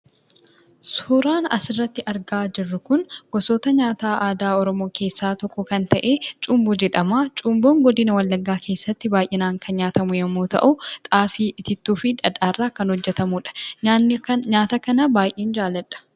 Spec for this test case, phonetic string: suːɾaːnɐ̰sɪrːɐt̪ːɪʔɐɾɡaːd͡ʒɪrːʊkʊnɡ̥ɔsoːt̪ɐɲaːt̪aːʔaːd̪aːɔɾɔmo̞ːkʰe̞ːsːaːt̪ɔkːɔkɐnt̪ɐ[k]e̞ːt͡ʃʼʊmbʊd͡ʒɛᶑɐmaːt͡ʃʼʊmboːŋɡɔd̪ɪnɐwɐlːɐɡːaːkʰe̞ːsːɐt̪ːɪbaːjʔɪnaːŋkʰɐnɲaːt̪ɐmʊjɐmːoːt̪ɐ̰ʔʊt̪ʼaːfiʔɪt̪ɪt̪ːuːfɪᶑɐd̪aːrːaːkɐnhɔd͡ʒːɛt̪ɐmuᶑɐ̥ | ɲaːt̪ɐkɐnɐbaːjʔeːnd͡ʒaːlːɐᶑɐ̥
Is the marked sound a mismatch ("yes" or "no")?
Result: yes